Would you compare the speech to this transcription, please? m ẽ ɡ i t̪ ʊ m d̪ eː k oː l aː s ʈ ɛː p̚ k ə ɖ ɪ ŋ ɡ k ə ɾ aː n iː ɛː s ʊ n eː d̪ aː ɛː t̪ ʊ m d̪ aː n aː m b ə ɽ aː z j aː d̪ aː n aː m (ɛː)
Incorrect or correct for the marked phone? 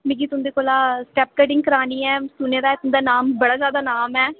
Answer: correct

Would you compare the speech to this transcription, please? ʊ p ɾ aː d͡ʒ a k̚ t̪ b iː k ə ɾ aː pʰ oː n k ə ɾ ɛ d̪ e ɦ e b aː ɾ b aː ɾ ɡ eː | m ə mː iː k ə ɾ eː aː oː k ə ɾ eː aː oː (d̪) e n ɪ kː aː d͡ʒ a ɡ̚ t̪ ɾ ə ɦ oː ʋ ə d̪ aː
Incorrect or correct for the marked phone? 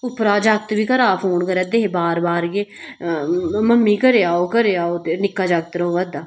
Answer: incorrect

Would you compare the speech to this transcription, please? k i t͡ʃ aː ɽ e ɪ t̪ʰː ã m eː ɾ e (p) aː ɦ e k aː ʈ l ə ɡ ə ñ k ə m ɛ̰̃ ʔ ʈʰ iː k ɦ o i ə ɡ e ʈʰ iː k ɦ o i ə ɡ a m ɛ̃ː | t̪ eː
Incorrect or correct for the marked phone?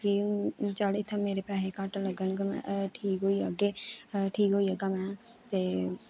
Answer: correct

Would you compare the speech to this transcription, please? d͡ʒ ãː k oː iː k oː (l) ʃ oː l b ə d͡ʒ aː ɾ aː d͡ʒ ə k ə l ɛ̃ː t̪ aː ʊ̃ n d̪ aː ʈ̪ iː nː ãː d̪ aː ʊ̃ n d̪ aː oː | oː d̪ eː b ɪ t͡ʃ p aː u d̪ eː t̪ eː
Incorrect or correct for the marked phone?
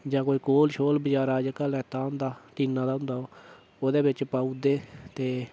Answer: correct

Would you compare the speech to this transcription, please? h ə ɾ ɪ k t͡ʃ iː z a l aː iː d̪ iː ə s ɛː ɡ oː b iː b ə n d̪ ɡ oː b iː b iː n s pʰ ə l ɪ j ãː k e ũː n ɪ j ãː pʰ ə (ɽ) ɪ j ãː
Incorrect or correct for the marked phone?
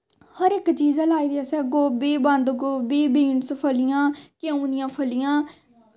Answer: incorrect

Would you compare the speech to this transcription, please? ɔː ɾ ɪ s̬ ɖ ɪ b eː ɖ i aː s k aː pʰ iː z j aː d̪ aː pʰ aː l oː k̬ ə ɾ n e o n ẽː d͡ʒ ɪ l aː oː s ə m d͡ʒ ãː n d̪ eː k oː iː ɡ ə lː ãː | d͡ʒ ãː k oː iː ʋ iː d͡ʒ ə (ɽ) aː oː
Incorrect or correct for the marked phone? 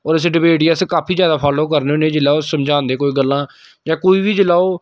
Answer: incorrect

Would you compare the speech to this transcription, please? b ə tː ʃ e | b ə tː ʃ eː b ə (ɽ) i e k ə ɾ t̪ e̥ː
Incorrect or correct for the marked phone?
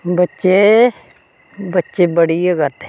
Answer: correct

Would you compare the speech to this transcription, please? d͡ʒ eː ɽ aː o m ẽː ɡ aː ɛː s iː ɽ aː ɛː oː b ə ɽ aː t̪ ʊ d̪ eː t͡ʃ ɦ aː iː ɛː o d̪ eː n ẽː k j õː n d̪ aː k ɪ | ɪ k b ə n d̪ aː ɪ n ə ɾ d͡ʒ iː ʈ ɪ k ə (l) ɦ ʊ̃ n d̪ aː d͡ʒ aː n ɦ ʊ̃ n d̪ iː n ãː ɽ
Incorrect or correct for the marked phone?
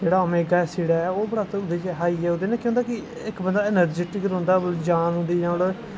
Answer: incorrect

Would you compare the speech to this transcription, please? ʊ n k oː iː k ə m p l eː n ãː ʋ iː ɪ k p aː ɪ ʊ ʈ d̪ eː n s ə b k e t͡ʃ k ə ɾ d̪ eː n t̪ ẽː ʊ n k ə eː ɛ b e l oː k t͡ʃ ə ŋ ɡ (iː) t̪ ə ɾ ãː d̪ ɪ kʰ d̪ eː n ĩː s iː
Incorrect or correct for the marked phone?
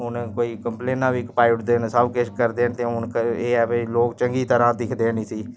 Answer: correct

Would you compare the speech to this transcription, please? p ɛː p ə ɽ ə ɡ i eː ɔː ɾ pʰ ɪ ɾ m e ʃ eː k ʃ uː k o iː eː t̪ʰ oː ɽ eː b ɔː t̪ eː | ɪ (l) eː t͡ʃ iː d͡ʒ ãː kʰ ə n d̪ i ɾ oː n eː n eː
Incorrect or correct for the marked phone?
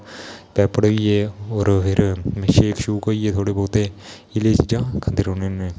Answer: correct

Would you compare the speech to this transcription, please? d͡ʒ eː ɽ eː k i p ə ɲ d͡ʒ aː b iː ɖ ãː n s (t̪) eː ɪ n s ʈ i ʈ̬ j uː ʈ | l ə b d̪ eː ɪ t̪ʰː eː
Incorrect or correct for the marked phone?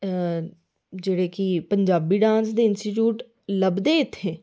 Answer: incorrect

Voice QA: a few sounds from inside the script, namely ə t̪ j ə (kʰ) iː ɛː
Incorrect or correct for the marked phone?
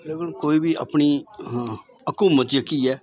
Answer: incorrect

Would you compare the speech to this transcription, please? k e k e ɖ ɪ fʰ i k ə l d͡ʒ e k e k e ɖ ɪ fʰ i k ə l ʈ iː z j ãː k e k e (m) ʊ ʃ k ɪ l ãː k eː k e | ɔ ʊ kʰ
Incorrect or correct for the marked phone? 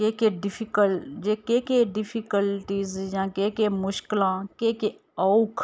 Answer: correct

